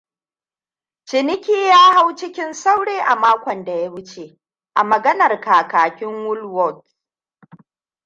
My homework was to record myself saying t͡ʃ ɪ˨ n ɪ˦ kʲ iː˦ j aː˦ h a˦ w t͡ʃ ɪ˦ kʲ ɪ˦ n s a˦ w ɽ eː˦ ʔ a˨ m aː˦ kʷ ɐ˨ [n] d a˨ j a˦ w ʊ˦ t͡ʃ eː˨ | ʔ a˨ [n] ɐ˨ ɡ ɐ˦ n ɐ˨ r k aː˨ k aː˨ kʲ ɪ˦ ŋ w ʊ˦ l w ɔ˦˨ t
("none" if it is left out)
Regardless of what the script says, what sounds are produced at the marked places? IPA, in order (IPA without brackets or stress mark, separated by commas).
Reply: n, m